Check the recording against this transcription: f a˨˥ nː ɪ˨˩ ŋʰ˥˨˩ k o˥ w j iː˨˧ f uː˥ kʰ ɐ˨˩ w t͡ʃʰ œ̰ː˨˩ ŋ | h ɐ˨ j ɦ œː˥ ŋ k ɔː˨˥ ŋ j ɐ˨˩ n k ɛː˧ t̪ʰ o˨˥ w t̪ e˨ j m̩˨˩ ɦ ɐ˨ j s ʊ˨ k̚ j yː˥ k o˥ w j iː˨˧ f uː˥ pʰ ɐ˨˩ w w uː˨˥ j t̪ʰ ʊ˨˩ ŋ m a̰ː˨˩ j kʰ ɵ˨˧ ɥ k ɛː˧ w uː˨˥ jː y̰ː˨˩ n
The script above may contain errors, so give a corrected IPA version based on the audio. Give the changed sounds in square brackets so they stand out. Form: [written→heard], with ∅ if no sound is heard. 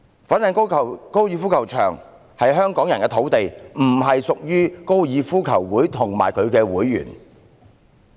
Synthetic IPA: f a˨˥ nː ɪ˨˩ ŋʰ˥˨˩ k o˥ w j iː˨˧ f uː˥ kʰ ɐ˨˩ w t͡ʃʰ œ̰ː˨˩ ŋ | h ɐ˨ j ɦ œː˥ ŋ k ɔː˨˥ ŋ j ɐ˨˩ n k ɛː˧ t̪ʰ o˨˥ w t̪ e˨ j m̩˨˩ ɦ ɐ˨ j s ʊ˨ k̚ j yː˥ k o˥ w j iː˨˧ f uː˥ [pʰ→kʰ] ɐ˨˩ w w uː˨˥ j t̪ʰ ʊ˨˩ ŋ m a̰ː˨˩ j kʰ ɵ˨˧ ɥ k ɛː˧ w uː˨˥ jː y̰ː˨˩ n